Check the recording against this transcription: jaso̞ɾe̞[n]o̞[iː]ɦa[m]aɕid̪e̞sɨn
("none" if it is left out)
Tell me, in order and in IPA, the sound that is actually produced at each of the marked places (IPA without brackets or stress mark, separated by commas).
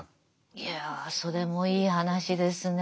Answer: m, iː, n